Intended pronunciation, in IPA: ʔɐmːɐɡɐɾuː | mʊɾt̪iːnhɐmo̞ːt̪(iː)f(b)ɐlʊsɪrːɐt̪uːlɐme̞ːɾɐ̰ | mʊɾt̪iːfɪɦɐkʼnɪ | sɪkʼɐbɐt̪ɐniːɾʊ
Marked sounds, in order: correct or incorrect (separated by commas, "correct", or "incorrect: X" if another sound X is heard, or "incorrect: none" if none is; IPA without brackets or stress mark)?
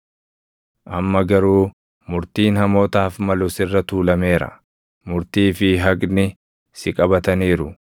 incorrect: aː, incorrect: m